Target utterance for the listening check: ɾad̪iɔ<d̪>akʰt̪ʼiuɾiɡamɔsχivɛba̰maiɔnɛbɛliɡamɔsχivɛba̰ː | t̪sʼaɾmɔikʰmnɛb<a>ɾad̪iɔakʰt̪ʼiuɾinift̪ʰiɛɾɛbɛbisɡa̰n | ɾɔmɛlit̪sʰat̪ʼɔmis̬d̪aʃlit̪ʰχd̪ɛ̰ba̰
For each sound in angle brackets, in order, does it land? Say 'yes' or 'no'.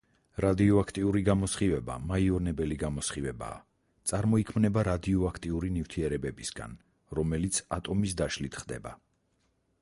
no, yes

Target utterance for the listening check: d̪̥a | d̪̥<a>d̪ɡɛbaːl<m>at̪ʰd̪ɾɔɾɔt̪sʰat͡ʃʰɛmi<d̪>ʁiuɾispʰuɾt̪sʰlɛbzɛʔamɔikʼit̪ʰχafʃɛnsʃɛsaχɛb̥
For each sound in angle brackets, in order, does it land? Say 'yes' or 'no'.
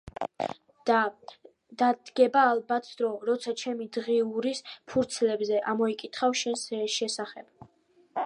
yes, no, yes

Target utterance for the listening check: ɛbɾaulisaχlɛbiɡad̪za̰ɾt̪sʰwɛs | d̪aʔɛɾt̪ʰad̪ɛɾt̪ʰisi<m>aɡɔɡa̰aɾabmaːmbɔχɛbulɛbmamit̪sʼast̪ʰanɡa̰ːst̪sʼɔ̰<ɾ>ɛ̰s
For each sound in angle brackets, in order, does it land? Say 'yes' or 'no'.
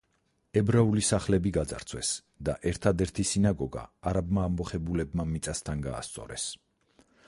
no, yes

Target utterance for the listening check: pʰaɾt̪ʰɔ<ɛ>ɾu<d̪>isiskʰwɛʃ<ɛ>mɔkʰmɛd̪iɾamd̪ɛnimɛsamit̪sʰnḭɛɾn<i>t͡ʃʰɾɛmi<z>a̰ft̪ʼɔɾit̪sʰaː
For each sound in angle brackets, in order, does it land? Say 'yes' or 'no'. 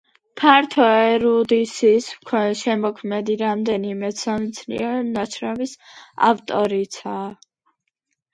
yes, yes, yes, no, no

